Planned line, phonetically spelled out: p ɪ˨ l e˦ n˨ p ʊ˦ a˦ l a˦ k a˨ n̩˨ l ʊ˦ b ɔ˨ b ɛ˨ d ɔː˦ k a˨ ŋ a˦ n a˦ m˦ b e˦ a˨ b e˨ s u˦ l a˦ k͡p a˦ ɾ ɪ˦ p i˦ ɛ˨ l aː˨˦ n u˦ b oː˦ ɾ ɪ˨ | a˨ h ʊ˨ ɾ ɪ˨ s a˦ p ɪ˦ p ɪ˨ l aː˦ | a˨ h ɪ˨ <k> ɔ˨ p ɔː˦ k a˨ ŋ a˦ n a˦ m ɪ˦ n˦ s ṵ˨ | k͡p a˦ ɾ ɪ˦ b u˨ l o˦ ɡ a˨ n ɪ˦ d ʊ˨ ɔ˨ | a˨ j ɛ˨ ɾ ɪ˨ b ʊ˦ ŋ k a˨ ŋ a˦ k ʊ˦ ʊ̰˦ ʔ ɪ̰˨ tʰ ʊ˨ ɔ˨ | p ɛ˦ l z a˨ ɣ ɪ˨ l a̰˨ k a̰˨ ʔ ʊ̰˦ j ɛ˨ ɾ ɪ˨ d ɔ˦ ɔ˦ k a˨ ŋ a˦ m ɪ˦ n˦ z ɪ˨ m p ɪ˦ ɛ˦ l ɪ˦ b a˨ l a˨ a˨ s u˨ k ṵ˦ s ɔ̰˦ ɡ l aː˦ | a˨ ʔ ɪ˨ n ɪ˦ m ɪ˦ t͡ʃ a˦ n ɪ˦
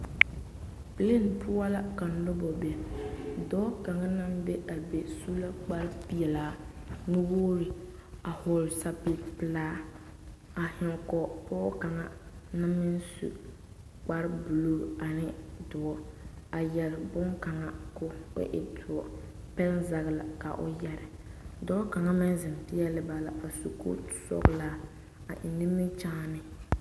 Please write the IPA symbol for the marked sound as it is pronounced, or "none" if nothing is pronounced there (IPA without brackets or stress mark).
k